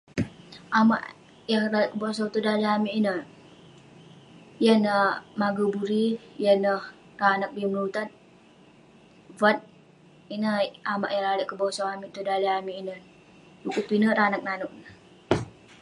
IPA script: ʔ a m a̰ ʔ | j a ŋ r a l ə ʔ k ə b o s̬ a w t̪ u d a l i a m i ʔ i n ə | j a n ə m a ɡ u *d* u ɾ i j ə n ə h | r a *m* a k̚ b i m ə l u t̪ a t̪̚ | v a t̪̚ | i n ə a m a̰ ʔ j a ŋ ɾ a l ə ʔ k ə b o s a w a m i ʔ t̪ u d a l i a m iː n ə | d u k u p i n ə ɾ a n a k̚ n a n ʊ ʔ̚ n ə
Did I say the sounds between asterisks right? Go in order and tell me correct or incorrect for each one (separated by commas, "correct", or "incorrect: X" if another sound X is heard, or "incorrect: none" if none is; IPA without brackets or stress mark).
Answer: incorrect: b, incorrect: n